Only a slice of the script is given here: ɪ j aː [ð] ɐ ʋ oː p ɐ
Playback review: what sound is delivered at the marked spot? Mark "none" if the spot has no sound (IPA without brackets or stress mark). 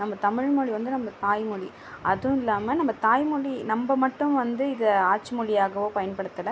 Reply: ɣ